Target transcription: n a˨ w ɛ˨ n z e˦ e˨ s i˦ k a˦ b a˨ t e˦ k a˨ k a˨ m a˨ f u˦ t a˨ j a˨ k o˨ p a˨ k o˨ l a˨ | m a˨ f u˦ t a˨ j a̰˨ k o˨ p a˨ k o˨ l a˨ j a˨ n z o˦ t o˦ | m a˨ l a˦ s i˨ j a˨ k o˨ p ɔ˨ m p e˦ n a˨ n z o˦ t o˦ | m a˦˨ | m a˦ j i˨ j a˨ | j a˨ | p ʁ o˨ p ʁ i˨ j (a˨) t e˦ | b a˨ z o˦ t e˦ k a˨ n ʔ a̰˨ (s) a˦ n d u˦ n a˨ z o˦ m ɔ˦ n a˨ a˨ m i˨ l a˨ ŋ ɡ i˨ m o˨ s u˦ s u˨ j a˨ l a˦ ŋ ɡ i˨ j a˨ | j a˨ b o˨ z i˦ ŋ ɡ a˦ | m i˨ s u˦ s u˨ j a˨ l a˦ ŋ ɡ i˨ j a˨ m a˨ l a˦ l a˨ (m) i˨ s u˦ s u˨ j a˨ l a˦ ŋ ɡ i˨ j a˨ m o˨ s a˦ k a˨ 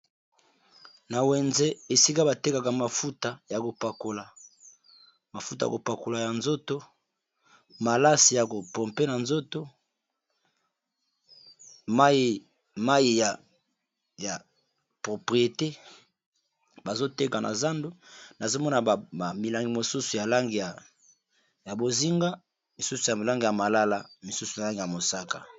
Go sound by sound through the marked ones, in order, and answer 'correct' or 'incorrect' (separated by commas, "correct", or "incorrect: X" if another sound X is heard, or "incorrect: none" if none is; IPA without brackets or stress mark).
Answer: incorrect: e˨, incorrect: z, correct